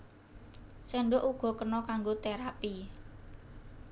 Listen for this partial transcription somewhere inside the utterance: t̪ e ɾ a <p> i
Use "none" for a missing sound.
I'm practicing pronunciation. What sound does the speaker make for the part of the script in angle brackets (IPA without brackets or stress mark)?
p